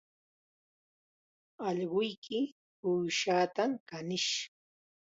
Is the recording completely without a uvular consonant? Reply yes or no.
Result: no